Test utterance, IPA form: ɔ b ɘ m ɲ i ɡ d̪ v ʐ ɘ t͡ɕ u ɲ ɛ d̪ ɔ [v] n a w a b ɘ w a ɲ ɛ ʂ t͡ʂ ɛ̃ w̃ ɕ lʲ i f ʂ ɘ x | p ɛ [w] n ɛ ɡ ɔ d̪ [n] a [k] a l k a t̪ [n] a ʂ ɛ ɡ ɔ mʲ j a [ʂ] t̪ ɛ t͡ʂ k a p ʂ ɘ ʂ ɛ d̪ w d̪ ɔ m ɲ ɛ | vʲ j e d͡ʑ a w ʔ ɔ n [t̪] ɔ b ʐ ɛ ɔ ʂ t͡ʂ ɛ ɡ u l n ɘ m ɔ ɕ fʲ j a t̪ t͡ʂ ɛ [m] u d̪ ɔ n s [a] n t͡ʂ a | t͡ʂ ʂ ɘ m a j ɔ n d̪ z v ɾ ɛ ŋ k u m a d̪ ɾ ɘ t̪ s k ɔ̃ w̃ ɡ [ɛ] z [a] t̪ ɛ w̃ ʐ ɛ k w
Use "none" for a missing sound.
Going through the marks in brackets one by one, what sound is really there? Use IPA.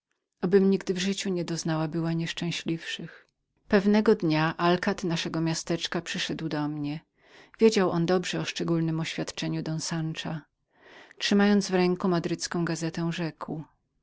z, v, ɲ, ʔ, n, s, d̪, ɲ, a, a, ɛ

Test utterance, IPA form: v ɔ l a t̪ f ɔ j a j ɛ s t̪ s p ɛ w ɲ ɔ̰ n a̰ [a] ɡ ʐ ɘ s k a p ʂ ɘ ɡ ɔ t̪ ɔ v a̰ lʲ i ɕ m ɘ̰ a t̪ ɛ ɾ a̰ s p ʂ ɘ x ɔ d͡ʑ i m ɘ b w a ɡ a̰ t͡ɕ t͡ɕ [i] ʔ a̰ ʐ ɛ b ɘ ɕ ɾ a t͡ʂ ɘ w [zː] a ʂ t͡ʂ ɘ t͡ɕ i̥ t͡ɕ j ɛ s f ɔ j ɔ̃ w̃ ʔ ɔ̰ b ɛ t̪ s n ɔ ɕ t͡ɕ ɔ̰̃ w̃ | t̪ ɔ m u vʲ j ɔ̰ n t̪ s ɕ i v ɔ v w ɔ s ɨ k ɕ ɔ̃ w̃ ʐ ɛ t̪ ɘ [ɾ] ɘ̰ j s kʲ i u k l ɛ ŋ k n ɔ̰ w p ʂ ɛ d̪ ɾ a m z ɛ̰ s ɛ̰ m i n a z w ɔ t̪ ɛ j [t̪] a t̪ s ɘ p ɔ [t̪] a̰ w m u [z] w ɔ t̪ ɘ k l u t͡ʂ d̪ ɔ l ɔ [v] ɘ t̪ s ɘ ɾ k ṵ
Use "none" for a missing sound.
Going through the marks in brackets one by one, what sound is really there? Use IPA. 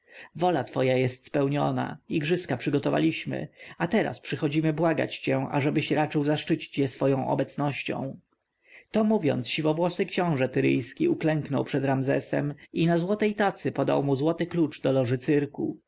i, ɛ, z, ɾ, t̪, d̪, z, ʐ

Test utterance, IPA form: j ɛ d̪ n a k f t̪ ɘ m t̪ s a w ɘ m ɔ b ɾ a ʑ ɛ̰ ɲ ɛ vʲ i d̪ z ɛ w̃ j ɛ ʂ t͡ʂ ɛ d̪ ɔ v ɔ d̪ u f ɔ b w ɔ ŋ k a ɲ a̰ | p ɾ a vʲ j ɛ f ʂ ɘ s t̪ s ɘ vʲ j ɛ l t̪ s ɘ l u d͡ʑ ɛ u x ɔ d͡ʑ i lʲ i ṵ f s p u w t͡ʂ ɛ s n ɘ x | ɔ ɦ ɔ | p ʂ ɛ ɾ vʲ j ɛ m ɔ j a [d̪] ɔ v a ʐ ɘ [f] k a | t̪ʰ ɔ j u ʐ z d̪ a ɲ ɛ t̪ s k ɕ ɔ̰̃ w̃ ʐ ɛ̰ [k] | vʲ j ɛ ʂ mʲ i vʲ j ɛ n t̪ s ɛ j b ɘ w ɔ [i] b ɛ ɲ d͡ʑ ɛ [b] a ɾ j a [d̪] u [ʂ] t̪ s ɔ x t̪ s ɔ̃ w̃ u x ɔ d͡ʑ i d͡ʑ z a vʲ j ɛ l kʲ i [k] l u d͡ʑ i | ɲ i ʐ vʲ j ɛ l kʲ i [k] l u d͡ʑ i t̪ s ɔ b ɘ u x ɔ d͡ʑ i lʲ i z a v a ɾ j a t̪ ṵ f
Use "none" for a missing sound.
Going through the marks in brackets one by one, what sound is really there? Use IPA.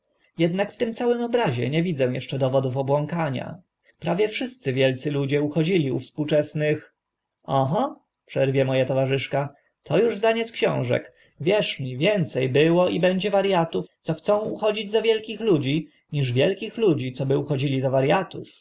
t̪, ʂ, k, i, v, t̪, f, x, x

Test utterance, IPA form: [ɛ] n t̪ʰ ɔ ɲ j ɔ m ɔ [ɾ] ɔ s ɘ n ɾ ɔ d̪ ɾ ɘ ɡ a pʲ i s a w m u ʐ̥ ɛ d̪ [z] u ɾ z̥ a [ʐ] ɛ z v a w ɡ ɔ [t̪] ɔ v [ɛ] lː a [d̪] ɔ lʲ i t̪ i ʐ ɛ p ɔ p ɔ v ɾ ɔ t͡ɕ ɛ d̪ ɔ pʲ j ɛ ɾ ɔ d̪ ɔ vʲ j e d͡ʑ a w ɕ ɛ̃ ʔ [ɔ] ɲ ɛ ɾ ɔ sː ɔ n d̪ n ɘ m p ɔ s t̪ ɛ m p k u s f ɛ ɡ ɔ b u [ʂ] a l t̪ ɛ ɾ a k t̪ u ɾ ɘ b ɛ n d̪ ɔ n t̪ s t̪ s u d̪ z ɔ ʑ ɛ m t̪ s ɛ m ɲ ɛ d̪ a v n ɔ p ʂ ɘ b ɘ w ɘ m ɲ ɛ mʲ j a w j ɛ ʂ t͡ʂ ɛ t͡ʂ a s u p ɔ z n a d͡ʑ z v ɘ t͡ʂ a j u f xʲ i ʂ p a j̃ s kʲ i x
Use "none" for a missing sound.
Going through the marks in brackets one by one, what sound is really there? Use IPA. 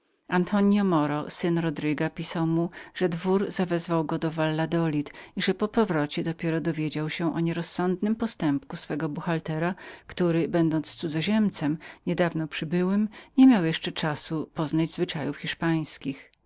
a, ɾ, v, v, d̪, a, d̪, ɔ, x

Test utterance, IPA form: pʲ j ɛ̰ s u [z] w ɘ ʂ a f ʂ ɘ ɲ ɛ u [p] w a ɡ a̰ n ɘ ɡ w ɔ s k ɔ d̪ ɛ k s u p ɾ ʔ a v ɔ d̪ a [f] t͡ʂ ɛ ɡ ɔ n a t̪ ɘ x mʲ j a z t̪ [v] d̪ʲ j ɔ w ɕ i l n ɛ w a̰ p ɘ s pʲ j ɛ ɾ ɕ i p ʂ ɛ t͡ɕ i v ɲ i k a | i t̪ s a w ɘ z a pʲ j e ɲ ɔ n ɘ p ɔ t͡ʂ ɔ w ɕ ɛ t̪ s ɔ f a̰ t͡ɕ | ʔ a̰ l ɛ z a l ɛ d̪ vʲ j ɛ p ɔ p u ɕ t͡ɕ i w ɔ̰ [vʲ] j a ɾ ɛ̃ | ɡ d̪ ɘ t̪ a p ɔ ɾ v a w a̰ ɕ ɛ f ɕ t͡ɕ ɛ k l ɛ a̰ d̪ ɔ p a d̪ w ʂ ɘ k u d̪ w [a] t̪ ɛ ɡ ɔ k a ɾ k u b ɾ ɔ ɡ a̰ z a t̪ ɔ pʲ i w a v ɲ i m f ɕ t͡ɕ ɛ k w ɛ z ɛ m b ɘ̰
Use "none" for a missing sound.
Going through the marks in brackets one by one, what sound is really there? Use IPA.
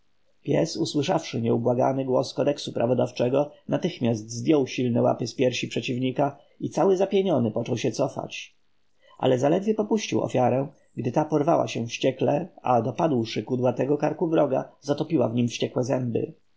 s, b, f, z, fʲ, a

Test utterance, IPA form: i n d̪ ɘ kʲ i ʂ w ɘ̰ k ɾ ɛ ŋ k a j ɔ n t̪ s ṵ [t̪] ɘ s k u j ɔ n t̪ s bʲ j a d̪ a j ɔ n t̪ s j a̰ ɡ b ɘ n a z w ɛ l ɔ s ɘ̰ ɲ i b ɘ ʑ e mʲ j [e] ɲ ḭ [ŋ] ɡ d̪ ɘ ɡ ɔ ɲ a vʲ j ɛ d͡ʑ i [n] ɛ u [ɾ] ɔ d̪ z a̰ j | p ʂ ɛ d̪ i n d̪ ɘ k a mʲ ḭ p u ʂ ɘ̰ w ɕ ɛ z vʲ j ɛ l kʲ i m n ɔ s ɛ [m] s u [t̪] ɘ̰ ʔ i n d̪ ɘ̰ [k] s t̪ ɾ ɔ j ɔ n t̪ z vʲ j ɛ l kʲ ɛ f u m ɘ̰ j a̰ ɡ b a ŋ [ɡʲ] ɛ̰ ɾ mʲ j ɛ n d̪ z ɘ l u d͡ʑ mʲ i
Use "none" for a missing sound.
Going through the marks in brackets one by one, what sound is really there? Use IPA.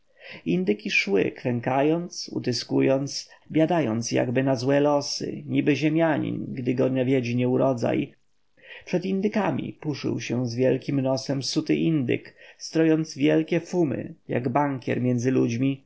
t̪, a, n, ɲ, ɾ, m, t̪, k, kʲ

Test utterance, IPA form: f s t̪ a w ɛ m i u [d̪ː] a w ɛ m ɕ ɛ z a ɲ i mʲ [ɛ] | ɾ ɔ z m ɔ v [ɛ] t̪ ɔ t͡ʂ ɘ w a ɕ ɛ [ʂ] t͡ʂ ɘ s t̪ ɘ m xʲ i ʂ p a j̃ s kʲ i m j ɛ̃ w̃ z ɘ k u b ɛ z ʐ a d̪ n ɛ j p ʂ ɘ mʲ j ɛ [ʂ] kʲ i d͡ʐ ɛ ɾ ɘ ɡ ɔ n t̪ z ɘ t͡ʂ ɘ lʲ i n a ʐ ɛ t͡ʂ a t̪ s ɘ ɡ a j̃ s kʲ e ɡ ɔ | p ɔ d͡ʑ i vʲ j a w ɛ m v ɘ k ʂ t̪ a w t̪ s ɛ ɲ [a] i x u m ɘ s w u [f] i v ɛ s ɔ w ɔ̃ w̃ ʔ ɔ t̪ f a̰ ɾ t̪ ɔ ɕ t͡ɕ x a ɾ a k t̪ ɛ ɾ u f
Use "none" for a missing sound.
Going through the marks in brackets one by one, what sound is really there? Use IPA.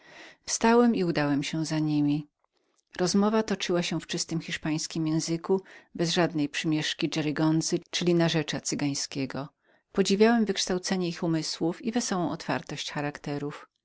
d̪, i, a, f, ʂ, ɛ, f

